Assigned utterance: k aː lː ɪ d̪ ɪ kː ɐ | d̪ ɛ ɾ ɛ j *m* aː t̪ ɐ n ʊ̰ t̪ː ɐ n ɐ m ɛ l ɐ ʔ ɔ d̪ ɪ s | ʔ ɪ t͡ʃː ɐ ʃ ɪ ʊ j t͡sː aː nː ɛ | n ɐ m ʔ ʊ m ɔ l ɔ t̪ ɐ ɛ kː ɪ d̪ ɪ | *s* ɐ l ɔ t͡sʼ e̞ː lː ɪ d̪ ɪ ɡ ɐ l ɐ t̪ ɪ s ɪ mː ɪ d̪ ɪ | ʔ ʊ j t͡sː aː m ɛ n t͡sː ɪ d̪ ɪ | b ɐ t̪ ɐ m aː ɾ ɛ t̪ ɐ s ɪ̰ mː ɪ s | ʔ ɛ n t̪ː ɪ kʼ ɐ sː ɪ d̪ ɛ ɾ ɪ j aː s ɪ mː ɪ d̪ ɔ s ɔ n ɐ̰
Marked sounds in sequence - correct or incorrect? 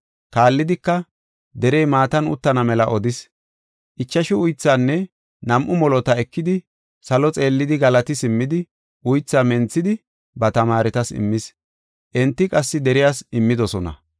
correct, correct

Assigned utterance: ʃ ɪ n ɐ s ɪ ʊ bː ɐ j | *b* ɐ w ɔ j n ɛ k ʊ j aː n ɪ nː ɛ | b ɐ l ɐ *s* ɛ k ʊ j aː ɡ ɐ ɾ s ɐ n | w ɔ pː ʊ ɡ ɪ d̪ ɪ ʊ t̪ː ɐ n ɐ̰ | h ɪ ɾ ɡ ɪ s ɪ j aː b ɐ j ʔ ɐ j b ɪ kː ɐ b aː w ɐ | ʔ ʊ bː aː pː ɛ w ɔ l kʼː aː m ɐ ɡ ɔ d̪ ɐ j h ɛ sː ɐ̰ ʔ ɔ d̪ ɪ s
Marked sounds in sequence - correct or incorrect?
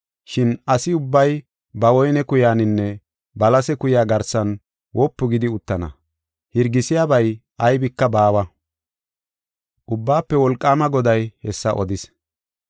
correct, correct

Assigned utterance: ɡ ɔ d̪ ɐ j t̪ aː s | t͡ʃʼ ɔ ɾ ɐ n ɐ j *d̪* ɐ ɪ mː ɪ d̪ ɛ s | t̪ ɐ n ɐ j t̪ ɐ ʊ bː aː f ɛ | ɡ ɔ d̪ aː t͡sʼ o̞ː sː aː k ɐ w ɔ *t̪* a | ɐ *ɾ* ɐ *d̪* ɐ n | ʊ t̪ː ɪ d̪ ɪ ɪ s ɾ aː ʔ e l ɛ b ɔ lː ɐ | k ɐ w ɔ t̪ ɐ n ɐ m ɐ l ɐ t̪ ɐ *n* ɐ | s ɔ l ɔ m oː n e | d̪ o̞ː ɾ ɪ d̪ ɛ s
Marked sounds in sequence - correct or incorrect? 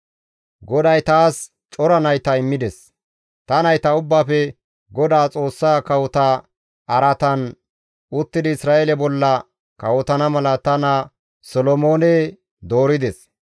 incorrect: t̪, correct, correct, incorrect: t̪, correct

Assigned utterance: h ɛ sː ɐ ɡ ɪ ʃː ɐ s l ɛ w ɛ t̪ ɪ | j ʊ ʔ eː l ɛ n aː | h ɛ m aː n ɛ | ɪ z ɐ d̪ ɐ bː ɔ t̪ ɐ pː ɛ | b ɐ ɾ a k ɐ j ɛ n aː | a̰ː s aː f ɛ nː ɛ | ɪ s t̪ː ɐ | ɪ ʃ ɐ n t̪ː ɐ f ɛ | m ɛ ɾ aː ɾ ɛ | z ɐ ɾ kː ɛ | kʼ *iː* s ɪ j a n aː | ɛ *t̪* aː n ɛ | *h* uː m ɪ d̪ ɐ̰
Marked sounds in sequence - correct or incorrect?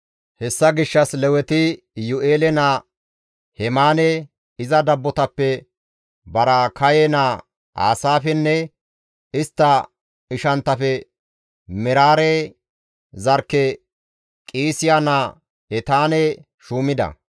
correct, correct, incorrect: ʃ

